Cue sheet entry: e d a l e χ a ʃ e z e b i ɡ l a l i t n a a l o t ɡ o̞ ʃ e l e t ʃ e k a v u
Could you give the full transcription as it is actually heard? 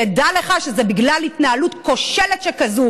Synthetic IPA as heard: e d a l e χ a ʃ e z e b i ɡ l a l i t n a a l u t k o̞ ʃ e l e t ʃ e k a z u